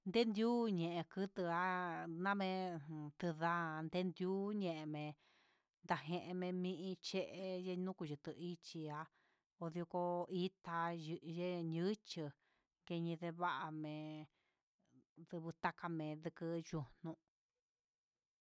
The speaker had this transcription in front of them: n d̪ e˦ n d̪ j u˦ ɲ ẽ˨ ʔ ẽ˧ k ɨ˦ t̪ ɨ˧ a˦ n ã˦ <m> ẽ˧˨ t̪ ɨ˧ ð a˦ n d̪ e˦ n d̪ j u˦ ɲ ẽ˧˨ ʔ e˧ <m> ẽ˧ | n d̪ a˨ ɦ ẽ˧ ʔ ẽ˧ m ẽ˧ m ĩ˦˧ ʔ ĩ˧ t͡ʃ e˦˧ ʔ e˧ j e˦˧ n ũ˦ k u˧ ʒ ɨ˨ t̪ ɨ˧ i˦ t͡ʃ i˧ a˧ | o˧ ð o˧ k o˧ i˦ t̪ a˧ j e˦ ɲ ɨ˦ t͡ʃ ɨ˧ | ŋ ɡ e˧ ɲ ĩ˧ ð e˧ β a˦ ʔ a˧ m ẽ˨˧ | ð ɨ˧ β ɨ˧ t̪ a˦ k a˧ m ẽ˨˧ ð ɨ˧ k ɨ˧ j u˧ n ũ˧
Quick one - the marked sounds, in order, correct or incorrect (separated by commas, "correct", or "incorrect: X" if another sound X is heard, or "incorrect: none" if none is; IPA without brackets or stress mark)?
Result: correct, correct